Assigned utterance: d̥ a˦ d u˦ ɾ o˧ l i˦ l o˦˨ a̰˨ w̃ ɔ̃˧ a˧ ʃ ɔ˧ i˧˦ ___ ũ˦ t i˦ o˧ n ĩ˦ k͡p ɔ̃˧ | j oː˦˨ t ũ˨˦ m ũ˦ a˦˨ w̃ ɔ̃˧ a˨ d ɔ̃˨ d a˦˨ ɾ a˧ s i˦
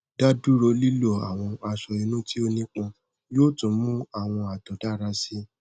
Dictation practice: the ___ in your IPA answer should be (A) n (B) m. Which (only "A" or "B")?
A